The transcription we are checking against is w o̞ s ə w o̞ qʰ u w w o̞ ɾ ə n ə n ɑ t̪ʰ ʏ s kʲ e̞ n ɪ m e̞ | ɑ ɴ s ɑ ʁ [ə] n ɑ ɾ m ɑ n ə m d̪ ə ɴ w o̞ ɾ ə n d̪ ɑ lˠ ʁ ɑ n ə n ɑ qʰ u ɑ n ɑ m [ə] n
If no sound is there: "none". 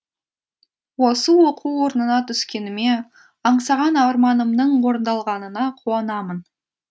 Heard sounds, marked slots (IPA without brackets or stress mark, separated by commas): ɑ, ə